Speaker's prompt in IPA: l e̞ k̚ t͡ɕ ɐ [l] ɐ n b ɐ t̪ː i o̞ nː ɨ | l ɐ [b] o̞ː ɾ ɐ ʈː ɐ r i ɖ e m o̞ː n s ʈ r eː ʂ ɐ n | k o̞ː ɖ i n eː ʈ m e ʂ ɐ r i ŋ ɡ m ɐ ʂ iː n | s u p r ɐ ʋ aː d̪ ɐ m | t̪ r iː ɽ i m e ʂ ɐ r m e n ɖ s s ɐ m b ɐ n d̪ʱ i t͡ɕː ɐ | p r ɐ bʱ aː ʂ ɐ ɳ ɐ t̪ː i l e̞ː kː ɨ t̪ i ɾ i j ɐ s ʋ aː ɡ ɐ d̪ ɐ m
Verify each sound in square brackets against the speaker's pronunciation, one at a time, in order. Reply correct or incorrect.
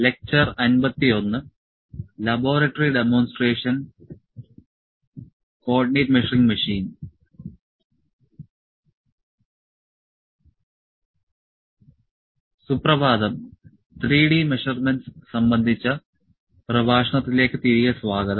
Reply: incorrect, correct

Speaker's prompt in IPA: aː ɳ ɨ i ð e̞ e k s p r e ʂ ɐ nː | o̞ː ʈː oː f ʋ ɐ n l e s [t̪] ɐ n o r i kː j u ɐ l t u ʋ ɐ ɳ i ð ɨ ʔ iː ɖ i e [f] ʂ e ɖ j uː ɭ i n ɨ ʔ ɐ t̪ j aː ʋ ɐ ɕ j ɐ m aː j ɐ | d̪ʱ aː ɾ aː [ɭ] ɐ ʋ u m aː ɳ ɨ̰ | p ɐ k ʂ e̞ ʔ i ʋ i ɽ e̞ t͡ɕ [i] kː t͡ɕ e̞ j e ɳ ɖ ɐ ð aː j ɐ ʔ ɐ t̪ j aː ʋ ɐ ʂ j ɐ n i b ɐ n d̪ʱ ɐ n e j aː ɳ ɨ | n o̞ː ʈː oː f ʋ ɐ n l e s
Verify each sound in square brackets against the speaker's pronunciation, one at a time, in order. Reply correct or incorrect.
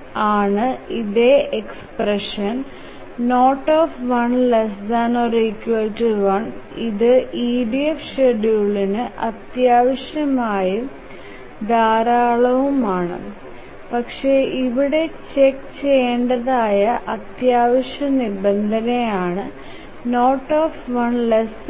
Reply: incorrect, correct, correct, incorrect

